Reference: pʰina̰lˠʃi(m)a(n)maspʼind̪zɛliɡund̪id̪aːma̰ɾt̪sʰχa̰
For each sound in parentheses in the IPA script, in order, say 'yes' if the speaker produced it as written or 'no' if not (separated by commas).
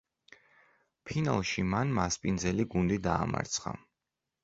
yes, yes